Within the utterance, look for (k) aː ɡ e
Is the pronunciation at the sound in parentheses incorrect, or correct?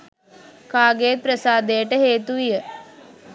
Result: correct